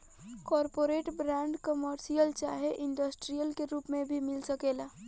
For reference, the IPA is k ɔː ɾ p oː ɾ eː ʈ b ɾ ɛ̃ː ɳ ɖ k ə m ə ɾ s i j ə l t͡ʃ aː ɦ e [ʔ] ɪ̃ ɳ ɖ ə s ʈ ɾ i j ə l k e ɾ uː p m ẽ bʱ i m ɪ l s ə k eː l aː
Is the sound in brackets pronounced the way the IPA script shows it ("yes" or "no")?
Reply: yes